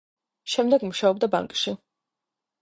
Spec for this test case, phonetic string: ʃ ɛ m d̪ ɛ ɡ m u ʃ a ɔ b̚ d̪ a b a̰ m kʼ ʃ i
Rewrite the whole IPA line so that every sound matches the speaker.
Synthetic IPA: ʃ ɛ m d̪ ɛ ɡ m u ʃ a ɔ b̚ d̪ a b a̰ ŋ kʼ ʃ i